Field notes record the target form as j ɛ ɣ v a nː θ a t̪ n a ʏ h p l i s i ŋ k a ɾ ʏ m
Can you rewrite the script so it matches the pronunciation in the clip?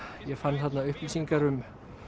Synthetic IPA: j ɛ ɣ f a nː θ a t̪ n a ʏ h p l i s i ŋ k a ɾ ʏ m